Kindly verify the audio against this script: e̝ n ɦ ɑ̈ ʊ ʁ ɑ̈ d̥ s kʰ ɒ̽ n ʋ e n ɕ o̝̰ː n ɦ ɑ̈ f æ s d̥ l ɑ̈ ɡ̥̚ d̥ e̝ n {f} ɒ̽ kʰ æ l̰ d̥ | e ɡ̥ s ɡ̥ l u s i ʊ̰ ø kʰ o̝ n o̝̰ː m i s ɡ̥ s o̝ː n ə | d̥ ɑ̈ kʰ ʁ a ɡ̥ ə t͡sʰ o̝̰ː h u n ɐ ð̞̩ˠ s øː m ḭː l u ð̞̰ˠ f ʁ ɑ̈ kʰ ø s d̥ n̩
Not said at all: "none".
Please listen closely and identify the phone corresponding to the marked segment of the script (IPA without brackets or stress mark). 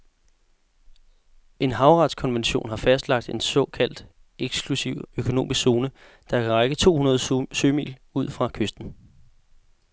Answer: s